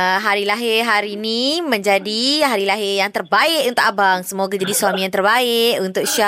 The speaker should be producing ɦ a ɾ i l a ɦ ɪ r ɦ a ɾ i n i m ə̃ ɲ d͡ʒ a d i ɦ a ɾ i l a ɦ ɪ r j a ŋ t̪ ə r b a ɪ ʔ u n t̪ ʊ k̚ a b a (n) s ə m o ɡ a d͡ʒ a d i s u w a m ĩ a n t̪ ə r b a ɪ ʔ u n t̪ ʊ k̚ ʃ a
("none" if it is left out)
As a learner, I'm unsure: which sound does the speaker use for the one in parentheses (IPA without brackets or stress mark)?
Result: ŋ